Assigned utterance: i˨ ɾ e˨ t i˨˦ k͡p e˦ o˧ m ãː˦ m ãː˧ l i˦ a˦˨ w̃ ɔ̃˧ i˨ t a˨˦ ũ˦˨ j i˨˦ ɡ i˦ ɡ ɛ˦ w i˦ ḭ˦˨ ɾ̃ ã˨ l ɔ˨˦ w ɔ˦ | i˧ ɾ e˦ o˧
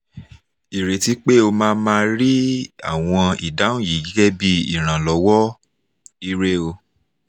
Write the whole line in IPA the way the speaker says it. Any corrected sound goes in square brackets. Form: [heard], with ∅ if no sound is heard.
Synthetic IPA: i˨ ɾ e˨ t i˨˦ k͡p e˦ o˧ m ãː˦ m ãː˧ [ɾ] i˦ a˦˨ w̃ ɔ̃˧ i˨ [d] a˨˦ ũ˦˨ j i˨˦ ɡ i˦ ɡ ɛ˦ [b] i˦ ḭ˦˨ ɾ̃ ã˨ l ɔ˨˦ w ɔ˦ | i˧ ɾ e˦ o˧